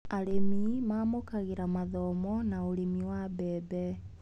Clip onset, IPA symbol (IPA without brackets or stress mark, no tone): a